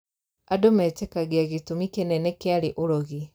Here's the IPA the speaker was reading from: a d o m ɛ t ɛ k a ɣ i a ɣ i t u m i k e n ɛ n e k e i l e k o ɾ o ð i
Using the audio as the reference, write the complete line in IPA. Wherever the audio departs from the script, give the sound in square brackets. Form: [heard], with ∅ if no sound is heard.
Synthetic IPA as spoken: a d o m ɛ t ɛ k a ɣ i a ɣ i t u m i k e n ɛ n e k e [a] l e [ʔ] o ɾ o [ɣ] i